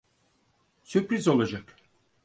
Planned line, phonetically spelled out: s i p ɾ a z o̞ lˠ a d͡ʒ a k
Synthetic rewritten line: s y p ɾ i z o̞ lˠ a d͡ʒ a k